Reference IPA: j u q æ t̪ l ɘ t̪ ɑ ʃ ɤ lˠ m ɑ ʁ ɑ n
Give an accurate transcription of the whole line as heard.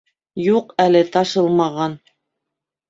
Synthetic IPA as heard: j u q æ l ɘ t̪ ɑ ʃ ɤ lˠ m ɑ ʁ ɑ n